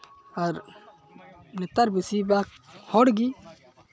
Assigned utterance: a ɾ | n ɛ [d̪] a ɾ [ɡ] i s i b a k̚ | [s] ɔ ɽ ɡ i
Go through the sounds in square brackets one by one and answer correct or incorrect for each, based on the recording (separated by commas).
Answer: incorrect, incorrect, incorrect